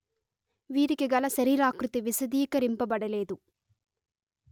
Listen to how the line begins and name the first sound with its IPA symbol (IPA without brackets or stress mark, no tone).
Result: ʋ